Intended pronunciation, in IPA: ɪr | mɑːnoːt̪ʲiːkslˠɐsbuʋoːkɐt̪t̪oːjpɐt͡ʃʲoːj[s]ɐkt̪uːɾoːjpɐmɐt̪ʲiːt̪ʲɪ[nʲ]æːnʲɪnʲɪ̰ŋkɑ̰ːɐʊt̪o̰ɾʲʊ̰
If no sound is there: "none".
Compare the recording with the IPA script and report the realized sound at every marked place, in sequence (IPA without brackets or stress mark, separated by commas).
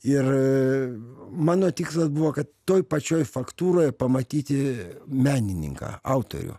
f, mʲ